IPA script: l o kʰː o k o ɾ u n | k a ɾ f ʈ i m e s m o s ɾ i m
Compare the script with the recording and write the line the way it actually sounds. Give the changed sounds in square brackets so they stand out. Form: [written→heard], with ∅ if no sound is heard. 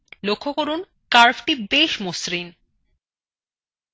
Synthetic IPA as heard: l o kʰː o k o ɾ u n | k a ɾ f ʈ i [m→b] e [s→ʃ] m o s ɾ i [m→n]